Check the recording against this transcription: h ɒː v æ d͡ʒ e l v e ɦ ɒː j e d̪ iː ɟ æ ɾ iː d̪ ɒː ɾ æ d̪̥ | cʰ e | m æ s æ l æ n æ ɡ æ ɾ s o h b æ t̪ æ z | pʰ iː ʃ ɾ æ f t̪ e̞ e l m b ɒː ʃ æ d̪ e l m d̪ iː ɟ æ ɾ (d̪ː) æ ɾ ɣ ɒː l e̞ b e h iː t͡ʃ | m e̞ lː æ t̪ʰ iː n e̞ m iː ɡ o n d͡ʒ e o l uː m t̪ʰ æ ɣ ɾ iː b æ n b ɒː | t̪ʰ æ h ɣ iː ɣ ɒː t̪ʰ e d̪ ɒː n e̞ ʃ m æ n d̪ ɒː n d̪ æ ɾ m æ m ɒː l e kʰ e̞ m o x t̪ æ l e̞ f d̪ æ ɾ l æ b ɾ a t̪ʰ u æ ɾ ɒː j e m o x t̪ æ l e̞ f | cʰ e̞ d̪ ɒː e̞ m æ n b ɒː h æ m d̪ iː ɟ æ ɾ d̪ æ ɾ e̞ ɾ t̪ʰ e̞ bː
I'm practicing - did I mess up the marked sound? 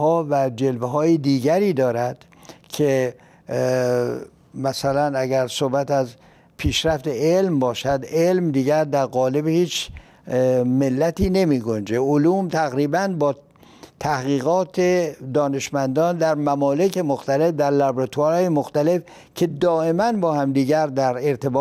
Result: yes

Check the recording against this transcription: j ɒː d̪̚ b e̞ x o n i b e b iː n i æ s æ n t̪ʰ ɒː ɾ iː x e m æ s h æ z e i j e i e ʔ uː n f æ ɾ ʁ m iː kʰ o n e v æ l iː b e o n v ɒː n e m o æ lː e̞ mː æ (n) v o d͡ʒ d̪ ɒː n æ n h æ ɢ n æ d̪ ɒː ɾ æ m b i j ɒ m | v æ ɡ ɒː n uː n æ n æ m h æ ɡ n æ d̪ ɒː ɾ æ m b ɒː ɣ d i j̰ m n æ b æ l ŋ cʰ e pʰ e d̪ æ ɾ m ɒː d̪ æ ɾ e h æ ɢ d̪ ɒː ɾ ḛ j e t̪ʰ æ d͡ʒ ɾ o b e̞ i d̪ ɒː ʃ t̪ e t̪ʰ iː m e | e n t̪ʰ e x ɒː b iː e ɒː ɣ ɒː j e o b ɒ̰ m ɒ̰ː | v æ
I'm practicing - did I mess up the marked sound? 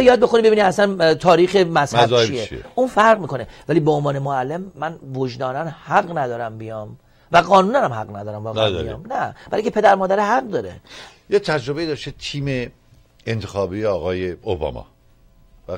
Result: no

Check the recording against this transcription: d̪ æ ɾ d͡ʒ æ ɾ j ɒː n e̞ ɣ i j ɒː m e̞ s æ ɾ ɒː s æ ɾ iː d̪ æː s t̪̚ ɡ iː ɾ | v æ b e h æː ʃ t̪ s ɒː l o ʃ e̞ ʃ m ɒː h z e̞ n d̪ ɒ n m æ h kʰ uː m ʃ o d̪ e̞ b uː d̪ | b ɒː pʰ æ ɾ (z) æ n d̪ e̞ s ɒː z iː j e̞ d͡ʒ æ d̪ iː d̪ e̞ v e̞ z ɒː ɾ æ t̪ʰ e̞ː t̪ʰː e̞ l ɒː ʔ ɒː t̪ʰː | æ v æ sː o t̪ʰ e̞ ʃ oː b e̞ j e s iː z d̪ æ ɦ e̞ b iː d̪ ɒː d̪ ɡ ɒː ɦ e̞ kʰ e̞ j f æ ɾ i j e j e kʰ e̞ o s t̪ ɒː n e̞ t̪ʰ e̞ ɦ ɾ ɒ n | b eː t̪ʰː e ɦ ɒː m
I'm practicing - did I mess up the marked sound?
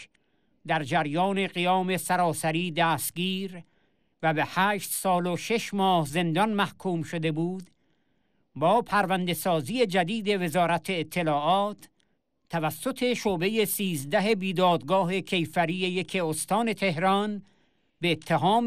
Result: yes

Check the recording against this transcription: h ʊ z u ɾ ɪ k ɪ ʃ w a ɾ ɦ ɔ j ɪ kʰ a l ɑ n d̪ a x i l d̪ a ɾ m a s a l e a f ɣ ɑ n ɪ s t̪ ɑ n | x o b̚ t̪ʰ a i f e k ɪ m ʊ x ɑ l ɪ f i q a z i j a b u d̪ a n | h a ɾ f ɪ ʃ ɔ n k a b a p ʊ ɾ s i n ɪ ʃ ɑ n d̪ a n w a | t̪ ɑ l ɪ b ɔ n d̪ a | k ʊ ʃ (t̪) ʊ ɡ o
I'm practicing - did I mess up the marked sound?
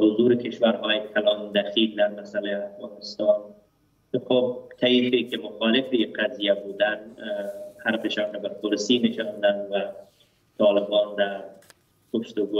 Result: no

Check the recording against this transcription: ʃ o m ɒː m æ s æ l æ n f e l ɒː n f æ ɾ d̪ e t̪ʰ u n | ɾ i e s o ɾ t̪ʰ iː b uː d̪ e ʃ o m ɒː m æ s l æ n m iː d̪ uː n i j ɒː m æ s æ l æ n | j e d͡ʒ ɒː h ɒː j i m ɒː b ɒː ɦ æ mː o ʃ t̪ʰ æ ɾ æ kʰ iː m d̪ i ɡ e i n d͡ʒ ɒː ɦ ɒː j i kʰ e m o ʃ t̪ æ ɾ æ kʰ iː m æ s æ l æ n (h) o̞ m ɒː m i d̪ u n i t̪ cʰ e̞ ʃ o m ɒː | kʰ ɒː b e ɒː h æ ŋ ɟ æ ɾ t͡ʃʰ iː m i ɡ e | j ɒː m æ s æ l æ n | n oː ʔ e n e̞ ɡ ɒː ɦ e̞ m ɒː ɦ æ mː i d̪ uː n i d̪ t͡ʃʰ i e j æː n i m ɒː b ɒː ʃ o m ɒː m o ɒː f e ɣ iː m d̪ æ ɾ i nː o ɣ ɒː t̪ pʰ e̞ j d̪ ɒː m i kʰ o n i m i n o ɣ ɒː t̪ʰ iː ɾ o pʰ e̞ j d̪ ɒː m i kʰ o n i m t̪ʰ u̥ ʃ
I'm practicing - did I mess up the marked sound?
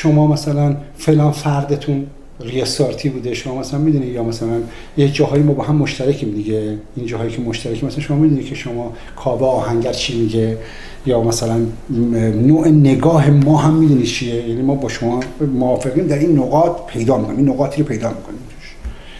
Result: yes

